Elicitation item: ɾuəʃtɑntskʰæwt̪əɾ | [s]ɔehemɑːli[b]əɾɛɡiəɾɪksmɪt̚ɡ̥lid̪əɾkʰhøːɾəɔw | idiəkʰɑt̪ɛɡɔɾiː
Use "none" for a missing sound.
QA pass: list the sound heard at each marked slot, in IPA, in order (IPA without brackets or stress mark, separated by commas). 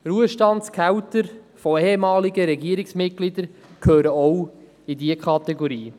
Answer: f, ɡ